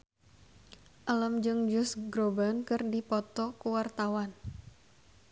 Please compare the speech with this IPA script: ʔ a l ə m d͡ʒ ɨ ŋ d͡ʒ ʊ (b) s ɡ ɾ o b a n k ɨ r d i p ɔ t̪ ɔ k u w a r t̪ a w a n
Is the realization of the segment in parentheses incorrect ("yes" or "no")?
yes